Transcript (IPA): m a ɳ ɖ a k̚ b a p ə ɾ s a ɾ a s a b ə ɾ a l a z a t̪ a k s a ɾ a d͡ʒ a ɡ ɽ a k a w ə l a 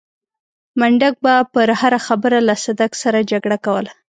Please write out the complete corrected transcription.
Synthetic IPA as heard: m a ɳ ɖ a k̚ b a p ə ɾ h a ɾ a x a b ə ɾ a l a s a d̪ a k s a ɾ a d͡ʒ a ɡ ɽ a k a w ə l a